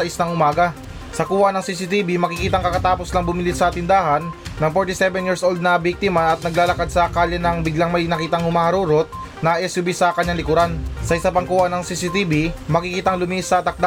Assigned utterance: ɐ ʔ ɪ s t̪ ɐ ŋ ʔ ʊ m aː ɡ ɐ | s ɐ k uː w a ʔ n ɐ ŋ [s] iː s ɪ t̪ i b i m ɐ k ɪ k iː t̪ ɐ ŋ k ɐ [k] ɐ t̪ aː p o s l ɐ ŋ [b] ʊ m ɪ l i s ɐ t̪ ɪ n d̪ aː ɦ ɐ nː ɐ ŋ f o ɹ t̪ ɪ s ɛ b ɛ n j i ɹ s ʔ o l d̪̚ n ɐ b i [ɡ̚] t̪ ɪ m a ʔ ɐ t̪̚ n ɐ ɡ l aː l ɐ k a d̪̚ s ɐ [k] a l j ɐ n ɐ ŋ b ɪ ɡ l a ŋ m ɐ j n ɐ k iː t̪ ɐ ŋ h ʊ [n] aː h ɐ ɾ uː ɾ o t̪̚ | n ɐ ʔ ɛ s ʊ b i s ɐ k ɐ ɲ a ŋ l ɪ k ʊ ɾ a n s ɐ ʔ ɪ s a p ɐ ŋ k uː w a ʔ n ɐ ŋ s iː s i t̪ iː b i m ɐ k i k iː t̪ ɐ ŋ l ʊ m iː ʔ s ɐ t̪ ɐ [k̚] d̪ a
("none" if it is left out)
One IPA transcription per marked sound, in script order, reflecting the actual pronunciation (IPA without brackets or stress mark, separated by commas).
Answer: s, k, b, k̚, k, m, k̚